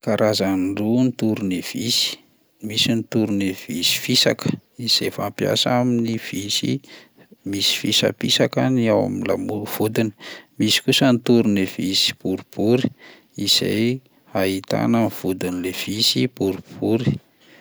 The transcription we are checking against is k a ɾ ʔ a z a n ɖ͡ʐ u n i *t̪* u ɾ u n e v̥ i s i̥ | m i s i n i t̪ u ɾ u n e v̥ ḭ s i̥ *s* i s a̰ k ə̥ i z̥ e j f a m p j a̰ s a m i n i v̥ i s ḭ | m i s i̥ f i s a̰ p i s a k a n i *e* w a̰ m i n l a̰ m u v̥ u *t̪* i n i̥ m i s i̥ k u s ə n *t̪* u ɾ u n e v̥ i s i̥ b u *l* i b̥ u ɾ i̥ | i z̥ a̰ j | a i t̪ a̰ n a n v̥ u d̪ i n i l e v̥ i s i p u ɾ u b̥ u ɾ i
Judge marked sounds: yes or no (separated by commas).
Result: yes, no, no, no, yes, no